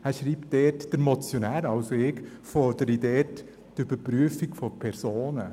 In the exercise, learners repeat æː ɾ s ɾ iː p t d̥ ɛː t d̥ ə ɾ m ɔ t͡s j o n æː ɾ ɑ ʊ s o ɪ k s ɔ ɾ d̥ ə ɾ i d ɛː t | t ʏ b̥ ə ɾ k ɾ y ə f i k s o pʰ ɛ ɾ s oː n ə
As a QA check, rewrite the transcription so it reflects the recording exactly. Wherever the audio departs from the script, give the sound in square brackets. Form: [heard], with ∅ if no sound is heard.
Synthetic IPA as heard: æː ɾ [ʃ] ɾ iː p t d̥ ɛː t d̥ ə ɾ m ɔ t͡s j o n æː ɾ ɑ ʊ s o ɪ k [f] ɔ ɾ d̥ ə ɾ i d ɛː t | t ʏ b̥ ə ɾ [p] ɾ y ə f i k [f] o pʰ ɛ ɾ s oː n ə

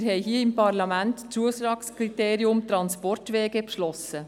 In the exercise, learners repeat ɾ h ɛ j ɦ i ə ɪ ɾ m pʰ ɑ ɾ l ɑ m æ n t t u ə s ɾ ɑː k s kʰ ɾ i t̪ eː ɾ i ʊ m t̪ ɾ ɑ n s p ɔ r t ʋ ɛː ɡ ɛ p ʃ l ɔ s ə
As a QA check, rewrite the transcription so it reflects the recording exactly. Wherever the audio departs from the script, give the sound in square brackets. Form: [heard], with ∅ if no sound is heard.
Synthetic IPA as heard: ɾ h ɛ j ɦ i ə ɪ [∅] m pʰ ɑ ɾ l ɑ m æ n t [t͡s] u ə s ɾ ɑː k s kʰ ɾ i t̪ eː ɾ i ʊ m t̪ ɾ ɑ n s p ɔ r t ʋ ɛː ɡ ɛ p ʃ l ɔ s ə

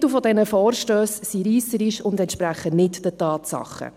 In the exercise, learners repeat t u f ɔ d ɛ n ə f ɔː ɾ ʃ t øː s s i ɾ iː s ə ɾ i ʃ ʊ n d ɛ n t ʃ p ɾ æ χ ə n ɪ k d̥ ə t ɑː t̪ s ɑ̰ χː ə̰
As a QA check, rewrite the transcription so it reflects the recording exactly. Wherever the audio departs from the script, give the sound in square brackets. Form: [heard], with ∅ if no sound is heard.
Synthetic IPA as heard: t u f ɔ d ɛ n ə f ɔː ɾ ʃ t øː s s i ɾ iː s ə ɾ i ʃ ʊ n d ɛ n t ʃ p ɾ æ χ ə n ɪ [t] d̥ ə t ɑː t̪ s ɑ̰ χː ə̰

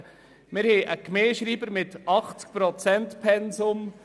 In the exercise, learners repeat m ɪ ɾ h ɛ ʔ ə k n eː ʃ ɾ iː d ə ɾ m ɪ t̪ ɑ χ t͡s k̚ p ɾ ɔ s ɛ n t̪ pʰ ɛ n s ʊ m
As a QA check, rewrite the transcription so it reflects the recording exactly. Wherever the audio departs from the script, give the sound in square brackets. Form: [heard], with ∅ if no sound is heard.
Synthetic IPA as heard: m ɪ ɾ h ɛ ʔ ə k [m] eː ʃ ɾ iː [b] ə ɾ m ɪ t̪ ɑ χ t͡s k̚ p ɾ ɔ [t͡s] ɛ n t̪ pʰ ɛ n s ʊ m

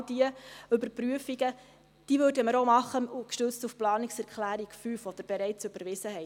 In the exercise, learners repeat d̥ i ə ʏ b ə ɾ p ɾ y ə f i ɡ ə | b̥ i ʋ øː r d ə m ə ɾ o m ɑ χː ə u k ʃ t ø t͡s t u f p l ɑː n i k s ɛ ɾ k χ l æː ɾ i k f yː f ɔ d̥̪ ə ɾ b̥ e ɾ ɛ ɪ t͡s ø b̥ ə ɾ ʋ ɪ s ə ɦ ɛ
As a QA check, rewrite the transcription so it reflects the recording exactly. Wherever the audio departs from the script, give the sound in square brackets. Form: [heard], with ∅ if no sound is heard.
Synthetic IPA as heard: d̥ i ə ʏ b ə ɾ p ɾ y ə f i ɡ ə | [d̥] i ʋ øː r d ə m ə ɾ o m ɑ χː ə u k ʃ t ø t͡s t u f p l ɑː n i k s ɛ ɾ k χ l æː ɾ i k f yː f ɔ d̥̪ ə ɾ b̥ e ɾ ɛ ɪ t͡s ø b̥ ə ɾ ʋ ɪ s ə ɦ ɛ

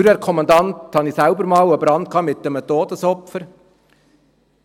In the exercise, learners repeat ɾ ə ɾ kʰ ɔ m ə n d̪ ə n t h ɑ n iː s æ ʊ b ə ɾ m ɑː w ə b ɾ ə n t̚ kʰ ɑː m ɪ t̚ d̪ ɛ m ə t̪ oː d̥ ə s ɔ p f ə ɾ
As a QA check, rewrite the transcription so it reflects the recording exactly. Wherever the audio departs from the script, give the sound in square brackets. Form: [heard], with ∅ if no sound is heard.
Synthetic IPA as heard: ɾ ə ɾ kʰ ɔ m [ɑ] n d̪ [ɑ] n t h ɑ n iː s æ ʊ b ə ɾ m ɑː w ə b ɾ [ɑ] n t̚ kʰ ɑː m ɪ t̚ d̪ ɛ m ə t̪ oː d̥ ə s ɔ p f ə ɾ

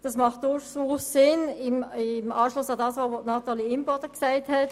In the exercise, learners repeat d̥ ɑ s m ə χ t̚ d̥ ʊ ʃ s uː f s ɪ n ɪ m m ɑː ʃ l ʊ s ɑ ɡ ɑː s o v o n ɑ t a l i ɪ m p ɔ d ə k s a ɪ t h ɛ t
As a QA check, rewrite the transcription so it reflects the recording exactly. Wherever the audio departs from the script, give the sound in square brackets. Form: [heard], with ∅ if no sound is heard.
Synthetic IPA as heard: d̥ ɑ s m [ɑ] χ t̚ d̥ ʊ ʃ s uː [s] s ɪ n ɪ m m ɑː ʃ l ʊ s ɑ [d] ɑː s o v o n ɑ t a l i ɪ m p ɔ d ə k s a ɪ t h ɛ t

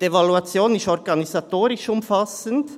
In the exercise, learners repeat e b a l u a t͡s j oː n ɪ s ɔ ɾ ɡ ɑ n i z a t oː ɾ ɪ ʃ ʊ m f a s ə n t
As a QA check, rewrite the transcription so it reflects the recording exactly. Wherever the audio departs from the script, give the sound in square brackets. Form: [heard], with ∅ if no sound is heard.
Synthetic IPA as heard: e [v] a l u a t͡s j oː n ɪ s ɔ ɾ ɡ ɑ n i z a t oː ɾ ɪ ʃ ʊ m f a s ə n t

